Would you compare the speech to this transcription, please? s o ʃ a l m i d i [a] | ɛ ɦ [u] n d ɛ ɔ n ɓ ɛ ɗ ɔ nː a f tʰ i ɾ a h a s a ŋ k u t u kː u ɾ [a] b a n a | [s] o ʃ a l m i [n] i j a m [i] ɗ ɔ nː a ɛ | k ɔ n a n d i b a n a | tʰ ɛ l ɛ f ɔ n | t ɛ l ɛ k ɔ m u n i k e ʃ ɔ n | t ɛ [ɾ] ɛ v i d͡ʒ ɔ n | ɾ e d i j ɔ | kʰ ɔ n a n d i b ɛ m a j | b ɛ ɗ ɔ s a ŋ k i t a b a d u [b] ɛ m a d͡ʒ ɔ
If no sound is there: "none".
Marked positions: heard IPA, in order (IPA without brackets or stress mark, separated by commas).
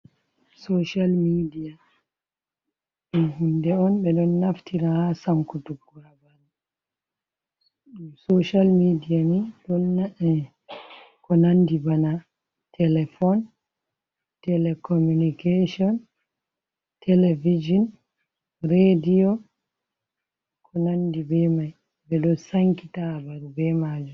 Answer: a, u, a, s, d, i, l, b